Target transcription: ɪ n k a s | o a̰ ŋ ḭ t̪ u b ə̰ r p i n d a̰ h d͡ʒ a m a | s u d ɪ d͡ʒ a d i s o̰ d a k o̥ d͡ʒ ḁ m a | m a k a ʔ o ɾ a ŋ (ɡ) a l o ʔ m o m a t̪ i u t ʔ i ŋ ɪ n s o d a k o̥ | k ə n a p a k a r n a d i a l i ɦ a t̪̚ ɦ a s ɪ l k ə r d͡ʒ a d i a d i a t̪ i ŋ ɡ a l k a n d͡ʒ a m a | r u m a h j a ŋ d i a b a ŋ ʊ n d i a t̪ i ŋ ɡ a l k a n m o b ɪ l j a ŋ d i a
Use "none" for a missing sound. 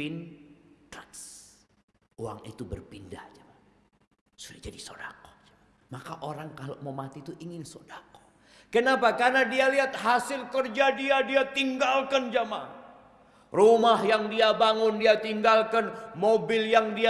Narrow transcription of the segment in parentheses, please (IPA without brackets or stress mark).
k